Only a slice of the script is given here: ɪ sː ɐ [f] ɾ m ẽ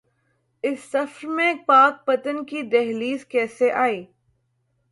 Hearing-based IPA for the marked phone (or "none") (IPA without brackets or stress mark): f